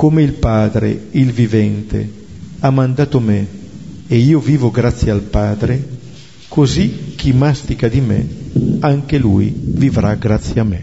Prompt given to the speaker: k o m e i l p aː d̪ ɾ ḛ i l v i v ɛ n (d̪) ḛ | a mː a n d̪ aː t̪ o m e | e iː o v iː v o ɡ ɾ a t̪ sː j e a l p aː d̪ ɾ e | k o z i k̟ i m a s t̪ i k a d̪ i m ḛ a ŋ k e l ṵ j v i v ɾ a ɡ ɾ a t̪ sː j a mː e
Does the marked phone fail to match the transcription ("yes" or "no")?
yes